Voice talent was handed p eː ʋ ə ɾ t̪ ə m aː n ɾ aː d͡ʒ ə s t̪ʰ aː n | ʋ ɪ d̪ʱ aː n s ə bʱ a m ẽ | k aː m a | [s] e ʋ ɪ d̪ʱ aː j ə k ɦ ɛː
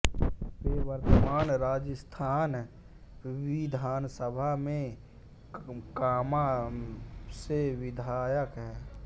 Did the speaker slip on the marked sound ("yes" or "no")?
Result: no